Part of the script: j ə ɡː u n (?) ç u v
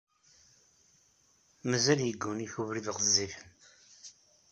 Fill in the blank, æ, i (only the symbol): i